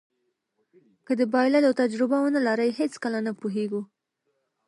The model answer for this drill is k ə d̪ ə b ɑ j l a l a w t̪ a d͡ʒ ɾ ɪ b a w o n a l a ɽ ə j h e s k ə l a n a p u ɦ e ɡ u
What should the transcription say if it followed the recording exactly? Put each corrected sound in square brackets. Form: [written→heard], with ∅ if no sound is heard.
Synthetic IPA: k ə d̪ ə b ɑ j l a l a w t̪ a d͡ʒ ɾ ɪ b a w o n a l a [ɽ→ɾ] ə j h e [s→t͡s] k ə l a n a p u ɦ e ɡ u

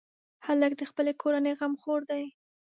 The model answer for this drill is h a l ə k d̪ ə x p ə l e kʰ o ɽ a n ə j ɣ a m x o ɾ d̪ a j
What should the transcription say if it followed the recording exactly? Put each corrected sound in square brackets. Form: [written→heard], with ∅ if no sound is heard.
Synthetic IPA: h a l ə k d̪ ə x p ə l e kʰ o [ɽ→ɾ] a n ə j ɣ a m x o ɾ d̪ a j

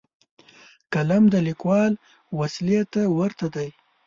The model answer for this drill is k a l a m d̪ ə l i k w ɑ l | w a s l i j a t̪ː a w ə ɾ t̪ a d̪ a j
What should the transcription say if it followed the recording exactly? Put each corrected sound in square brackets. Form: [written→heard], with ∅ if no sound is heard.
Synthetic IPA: k a l a m d̪ ə l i k w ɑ l | w a s l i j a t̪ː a w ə ɾ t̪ a d̪ a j

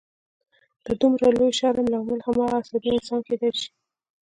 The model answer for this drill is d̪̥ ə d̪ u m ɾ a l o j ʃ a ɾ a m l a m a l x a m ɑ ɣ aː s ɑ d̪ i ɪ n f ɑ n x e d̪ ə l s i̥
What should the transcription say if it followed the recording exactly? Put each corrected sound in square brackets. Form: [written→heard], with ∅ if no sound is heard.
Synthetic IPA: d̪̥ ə d̪ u m ɾ a l o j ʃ [a→ɑ] ɾ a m l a m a l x a m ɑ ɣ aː s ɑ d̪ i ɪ n [f→s] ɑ n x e d̪ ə l [s→ʃ] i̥

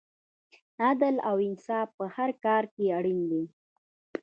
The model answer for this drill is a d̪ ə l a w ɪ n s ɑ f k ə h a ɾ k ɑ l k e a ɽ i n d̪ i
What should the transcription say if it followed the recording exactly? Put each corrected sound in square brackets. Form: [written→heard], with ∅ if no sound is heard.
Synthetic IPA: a d̪ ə l a w ɪ n s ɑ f [k→p] ə h a ɾ k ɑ [l→ɾ] k e a ɽ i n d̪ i

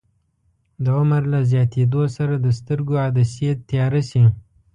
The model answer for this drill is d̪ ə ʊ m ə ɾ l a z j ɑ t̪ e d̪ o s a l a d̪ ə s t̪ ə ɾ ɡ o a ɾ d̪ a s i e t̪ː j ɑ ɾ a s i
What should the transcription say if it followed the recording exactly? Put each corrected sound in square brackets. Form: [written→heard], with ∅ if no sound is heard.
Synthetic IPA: d̪ ə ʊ m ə ɾ l a z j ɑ t̪ e d̪ o s a [l→ɾ] a d̪ ə s t̪ ə ɾ ɡ o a [ɾ→∅] d̪ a s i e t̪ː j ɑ ɾ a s i

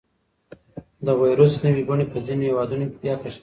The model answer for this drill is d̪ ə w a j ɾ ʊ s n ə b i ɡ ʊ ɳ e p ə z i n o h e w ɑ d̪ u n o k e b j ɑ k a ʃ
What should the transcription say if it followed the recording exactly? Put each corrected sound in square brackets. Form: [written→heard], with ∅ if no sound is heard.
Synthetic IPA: d̪ ə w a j ɾ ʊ s n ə [b→w] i ɡ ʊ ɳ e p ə z i n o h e w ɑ d̪ u n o k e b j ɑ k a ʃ

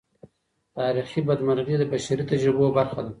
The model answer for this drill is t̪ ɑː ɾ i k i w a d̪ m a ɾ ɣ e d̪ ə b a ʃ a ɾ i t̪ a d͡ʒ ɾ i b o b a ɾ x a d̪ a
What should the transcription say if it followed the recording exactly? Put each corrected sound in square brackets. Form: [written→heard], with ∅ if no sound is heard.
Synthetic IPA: t̪ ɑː ɾ i [k→x] i [w→b] a d̪ m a ɾ ɣ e d̪ ə b a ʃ a ɾ i t̪ a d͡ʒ ɾ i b o b a ɾ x a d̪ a

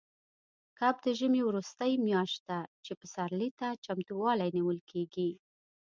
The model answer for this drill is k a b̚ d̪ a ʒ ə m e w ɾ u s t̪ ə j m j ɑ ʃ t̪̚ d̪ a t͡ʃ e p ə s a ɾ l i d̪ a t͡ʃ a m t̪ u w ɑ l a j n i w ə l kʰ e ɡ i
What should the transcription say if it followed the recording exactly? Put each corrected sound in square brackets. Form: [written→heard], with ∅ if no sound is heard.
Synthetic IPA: k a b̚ d̪ [a→ə] ʒ ə m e w ɾ u s t̪ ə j m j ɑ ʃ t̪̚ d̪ a t͡ʃ e p ə s a ɾ l i [d̪→t̪] a t͡ʃ a m t̪ u w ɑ l a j n i w ə l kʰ e ɡ i

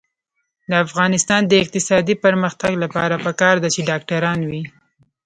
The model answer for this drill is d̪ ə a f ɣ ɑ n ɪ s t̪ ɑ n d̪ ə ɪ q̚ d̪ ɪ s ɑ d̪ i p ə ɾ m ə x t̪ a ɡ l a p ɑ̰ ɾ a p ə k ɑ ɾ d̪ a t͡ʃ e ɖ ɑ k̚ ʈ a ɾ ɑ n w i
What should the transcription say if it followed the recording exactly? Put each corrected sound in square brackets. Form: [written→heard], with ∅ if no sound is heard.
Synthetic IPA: d̪ ə a f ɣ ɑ n ɪ s t̪ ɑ n d̪ ə ɪ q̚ [d̪→t̪] ɪ s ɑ d̪ i p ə ɾ m ə x t̪ a ɡ l a p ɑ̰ ɾ a p ə k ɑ ɾ d̪ a t͡ʃ e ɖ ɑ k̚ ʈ a ɾ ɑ n w i

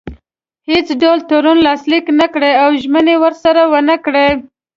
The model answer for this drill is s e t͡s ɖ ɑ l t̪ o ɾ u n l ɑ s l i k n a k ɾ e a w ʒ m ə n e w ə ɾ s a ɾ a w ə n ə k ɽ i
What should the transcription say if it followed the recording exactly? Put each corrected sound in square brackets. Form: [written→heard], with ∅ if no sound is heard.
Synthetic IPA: [s→h] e t͡s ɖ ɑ l t̪ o ɾ u n l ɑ s l i k n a k [ɾ→ɽ] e a w ʒ m ə n e w ə ɾ s a ɾ a w ə n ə k ɽ [i→e]

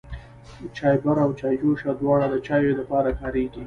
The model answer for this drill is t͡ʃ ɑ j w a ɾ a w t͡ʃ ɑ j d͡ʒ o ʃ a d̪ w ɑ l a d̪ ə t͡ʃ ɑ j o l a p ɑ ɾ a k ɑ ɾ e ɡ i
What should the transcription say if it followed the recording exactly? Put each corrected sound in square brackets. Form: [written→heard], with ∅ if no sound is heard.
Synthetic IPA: t͡ʃ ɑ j [w→b] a ɾ a w t͡ʃ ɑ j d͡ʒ o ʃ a d̪ w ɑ [l→ɽ] a d̪ ə t͡ʃ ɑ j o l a p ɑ ɾ a k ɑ ɾ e ɡ i

